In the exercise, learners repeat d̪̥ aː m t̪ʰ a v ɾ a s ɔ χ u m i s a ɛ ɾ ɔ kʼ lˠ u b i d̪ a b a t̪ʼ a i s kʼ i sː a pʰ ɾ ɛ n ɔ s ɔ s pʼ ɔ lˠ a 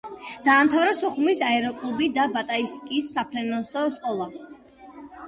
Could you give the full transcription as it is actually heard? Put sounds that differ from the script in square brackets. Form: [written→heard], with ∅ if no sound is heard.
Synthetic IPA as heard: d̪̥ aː m t̪ʰ a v ɾ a s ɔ χ u m i s a ɛ ɾ ɔ kʼ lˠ u b i d̪ a b a t̪ʼ a i s kʼ i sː a pʰ ɾ ɛ n ɔ s ɔ s [pʼ→kʼ] ɔ lˠ a